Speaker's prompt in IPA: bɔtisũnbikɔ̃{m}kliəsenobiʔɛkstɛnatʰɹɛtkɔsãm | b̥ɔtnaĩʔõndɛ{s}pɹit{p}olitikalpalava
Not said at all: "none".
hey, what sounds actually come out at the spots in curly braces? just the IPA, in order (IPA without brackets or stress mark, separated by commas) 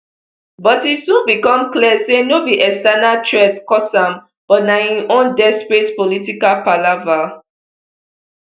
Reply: m, s, p